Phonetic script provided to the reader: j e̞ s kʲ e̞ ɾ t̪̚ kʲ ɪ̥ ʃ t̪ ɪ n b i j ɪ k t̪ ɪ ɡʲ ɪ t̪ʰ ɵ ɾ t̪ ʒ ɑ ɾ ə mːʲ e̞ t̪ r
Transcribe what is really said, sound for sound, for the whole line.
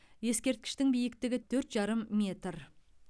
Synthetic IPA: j e̞ s kʲ e̞ ɾ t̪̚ kʲ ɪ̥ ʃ t̪ ɪ ŋ b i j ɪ k t̪ ɪ ɡʲ ɪ t̪ʰ ɵ ɾ t̪ ʒ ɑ ɾ ə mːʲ e̞ t̪ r

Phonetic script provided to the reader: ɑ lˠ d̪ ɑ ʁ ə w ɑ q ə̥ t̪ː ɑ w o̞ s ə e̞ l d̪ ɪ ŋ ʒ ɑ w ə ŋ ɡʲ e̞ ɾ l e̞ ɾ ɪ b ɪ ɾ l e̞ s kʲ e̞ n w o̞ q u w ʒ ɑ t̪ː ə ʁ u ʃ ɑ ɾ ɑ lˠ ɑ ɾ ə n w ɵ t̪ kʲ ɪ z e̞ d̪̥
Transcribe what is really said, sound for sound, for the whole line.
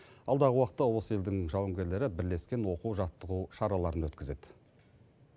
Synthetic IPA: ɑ lˠ d̪ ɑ ʁ ə w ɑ q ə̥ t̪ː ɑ w o̞ s ə e̞ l d̪ ɪ ŋ ʒ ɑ w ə ŋ ɡʲ e̞ ɾ l e̞ ɾ ɪ b ɪ ɾ l e̞ s kʲ e̞ n w o̞ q u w ʒ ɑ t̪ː ə ʁ u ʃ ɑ ɾ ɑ lˠ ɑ ɾ ə n w ɵ t̪ kʲ ɪ z e̞ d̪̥

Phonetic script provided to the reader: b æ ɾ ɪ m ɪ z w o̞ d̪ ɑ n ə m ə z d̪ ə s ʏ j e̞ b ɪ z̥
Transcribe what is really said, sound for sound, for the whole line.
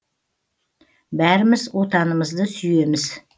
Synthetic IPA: b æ ɾ ɪ m ɪ z w o̞ t̪ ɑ n ə m ə z d̪ ə s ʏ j e̞ m ɪ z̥

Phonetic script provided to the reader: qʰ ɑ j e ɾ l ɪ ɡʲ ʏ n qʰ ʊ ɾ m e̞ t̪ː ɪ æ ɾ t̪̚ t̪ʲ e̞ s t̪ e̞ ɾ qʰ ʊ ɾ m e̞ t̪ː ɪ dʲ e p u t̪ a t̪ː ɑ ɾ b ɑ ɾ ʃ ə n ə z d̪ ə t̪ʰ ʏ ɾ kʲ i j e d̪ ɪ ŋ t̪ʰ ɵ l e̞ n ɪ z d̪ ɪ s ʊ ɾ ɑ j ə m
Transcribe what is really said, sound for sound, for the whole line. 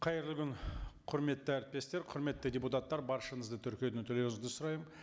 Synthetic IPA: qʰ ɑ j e ɾ l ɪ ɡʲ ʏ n qʰ ʊ ɾ m e̞ t̪ː ɪ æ ɾ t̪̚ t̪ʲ e̞ s t̪ e̞ ɾ qʰ ʊ ɾ m e̞ t̪ː ɪ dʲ e p u t̪ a t̪ː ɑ ɾ b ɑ ɾ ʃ ə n ə z d̪ ə t̪ʰ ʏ ɾ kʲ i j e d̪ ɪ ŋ t̪ʰ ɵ l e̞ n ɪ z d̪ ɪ s ʊ ɾ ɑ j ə m

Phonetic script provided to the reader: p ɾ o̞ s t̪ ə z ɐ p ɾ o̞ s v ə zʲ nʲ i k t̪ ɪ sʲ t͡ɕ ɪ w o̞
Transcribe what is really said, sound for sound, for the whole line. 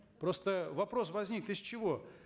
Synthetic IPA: p ɾ o̞ s t̪ ə v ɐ p ɾ o̞ s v ɐ zʲ nʲ i k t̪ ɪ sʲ t͡ɕ ɪ v o̞

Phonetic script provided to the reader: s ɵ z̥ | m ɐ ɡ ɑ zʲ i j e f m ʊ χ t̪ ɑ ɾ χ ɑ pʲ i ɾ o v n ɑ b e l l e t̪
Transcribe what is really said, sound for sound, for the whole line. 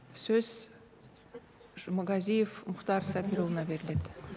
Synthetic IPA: s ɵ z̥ | m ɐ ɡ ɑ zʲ i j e f m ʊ χ t̪ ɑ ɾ s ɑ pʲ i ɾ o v n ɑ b e ɾ l e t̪

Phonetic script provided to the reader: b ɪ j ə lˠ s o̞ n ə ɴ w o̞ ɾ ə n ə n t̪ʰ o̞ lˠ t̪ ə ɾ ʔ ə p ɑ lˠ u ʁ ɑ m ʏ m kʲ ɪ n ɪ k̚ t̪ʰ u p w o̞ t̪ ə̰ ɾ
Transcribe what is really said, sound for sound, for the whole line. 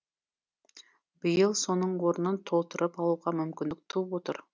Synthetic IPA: b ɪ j ə lˠ s o̞ n ə ɴ w o̞ ɾ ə n ə n t̪ʰ o̞ lˠ t̪ ə ɾ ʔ ə p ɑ lˠ u ʁ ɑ m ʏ m kʲ ɪ n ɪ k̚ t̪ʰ u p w o̞ t̪ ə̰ ɾ

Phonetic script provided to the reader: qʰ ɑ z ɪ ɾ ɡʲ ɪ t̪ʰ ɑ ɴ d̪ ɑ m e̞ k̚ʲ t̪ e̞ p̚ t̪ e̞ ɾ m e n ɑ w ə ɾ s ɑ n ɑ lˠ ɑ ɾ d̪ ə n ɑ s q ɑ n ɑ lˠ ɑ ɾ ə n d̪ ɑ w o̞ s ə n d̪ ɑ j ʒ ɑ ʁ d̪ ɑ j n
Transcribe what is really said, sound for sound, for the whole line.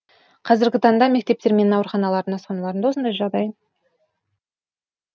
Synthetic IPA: qʰ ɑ z ɪ ɾ ɡʲ ɪ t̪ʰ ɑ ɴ d̪ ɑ m e̞ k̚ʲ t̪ e̞ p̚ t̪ e̞ ɾ m e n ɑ w ə ɾ χ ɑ n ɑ lˠ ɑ ɾ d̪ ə n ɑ s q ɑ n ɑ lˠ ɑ ɾ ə n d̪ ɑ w o̞ s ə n d̪ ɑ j ʒ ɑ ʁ d̪ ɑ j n

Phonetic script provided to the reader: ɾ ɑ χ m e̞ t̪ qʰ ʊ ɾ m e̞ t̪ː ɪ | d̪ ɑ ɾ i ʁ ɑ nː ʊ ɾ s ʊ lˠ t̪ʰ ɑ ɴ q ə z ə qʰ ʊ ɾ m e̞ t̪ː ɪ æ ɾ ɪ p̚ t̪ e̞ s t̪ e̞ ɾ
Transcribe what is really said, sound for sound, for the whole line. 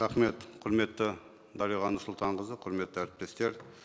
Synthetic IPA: ɾ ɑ χ m e̞ t̪ qʰ ʊ ɾ m e̞ t̪ː ɪ | d̪ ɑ ɾ i ʁ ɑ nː ʊ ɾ s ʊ lˠ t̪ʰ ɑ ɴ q ə z ə qʰ ʊ ɾ m e̞ t̪ː ɪ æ ɾ ɪ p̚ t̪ e̞ s t̪ e̞ ɾ

